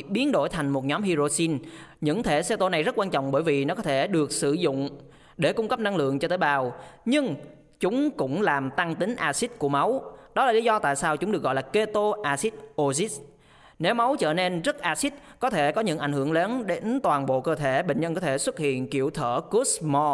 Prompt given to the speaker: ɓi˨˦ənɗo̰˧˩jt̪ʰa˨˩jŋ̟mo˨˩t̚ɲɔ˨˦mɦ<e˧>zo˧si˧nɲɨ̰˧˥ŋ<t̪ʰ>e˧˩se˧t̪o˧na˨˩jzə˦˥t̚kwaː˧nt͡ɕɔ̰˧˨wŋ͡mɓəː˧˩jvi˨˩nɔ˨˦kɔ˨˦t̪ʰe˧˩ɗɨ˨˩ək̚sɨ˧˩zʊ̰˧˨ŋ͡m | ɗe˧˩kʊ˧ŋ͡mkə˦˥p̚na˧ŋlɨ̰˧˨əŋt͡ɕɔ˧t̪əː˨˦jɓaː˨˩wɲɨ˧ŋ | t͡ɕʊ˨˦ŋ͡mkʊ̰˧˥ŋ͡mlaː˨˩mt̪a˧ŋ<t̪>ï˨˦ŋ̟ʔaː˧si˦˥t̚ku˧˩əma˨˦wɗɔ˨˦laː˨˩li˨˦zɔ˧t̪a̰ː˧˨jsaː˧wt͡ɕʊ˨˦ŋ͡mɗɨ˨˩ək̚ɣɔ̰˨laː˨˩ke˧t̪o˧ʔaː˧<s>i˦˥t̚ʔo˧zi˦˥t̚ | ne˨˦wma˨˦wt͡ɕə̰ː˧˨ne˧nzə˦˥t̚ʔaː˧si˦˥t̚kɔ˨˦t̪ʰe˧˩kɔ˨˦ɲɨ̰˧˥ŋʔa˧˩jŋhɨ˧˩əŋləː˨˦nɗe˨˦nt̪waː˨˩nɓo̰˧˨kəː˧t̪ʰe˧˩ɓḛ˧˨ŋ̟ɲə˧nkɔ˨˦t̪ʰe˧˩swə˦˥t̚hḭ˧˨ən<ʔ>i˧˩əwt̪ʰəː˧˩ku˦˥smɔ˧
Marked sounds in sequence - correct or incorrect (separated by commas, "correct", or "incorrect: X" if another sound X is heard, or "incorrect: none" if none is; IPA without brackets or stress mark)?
incorrect: i˧, correct, correct, correct, incorrect: k